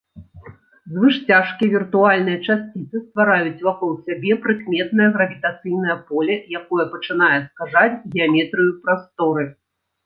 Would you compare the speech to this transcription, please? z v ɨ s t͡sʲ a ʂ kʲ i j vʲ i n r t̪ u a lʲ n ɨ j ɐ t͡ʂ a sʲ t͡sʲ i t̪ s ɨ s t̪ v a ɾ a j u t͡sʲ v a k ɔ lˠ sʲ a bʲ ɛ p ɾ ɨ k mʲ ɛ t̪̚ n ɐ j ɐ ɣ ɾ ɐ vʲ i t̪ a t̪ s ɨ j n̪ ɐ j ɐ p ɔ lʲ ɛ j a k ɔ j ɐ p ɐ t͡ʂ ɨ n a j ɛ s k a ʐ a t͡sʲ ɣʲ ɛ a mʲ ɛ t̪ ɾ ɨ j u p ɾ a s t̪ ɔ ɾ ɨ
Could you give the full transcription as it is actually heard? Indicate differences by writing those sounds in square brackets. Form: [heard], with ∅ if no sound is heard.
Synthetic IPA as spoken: z v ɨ [ʂ] t͡sʲ a ʂ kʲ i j vʲ i [∅] r t̪ u a lʲ n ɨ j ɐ t͡ʂ a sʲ t͡sʲ i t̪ s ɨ s t̪ v a ɾ a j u t͡sʲ v a k ɔ lˠ sʲ a bʲ ɛ p ɾ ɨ k mʲ ɛ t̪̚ n ɐ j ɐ ɣ ɾ ɐ vʲ i t̪ a t̪ s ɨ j n̪ ɐ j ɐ p ɔ lʲ ɛ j a k ɔ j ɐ p ɐ t͡ʂ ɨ n a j ɛ s k a ʐ a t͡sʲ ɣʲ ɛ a mʲ ɛ t̪ ɾ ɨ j u p ɾ a s t̪ ɔ ɾ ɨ